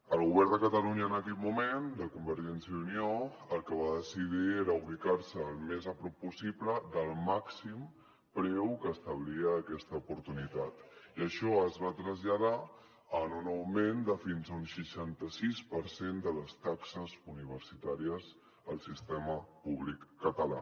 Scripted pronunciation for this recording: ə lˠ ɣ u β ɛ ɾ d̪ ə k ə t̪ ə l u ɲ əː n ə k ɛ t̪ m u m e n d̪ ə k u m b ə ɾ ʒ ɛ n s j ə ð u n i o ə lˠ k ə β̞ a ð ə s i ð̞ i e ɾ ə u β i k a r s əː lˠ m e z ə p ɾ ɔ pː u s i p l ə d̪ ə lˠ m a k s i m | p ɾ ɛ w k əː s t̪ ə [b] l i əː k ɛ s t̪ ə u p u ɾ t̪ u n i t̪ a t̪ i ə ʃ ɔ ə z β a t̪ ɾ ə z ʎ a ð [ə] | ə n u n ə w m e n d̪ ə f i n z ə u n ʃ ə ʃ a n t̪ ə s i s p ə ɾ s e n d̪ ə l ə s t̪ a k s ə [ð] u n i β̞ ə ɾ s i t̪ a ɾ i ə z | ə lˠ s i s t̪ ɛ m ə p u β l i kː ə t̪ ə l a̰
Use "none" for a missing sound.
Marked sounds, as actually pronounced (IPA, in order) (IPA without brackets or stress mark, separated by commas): β, a, z